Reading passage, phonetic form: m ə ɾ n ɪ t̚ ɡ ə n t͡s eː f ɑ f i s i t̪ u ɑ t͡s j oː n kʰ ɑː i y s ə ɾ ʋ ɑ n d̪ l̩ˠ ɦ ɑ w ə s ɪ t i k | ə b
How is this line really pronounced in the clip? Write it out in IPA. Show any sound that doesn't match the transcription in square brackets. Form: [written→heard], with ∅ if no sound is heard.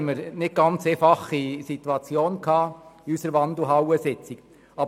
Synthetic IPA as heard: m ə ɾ n ɪ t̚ ɡ [ə→ɑ] n t͡s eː f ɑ [f→χ] i s i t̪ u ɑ t͡s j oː n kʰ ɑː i y s ə ɾ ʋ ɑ n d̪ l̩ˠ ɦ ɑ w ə s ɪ [t→t͡s] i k | [ə→ɑ] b

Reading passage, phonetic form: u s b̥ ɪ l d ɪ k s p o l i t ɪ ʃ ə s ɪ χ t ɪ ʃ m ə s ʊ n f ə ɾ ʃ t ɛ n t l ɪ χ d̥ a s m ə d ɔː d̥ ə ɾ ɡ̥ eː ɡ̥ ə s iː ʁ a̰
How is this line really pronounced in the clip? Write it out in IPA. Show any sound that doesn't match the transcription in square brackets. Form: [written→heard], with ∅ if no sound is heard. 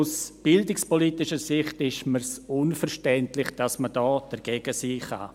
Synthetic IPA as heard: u s b̥ ɪ l d ɪ k s p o l i t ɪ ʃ ə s ɪ χ t ɪ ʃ m ə s ʊ n f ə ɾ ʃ t ɛ n t l ɪ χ d̥ a s m ə d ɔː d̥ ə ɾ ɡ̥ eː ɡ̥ ə s iː [ʁ→χ] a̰

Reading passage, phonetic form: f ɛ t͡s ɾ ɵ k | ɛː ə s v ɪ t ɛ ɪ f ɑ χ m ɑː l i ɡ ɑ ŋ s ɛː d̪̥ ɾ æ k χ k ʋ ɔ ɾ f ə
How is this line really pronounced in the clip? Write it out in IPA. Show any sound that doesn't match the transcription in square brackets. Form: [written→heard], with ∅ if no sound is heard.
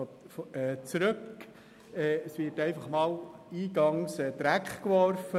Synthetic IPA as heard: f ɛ t͡s ɾ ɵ k | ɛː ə s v ɪ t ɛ ɪ f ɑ χ m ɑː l [i→iː] ɡ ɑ ŋ s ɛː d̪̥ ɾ æ k χ k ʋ ɔ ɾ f ə

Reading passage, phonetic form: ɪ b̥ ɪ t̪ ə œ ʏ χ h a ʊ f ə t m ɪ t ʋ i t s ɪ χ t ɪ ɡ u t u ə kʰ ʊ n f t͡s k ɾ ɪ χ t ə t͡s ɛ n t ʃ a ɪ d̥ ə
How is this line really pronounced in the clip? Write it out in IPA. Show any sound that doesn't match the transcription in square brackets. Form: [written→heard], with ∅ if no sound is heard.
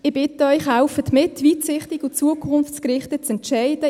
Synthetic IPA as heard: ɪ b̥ ɪ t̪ ə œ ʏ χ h a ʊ f ə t m ɪ t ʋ i t s ɪ χ t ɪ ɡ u [t→t͡s] u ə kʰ ʊ n f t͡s k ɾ ɪ χ t ə t͡s ɛ n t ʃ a ɪ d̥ ə

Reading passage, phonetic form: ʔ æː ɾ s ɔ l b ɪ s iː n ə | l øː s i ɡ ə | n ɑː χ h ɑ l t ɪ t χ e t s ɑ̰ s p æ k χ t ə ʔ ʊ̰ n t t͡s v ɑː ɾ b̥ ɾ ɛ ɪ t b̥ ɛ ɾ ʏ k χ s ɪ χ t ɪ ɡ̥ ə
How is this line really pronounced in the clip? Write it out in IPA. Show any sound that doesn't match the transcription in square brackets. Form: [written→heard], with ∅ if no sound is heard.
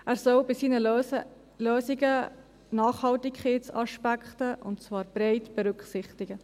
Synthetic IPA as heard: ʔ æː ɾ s ɔ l b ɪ s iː n ə | l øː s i ɡ ə | n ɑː χ h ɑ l t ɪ [t→k] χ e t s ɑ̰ [s→ʃ] p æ k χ t ə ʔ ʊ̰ n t t͡s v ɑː ɾ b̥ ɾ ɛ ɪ t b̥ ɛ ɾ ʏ k χ s ɪ χ t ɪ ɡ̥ ə

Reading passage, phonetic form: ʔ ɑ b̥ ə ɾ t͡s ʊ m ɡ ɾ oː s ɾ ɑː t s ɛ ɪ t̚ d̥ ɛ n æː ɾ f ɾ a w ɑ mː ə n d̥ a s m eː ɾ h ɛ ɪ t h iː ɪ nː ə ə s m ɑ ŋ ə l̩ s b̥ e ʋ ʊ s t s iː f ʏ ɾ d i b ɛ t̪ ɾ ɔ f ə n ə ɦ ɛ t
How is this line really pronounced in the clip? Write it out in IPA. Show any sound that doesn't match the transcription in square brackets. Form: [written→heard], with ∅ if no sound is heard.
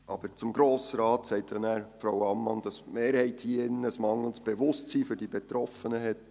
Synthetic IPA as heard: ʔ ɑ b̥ ə ɾ t͡s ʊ m ɡ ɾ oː s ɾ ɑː t s ɛ ɪ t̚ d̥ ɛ n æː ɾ f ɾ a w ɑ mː [ə→ɑ] n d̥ [a→ɑ] s m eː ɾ h ɛ ɪ t h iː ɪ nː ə ə s m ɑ ŋ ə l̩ s b̥ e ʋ ʊ s t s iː f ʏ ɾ d i b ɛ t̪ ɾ ɔ f ə n ə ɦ ɛ t

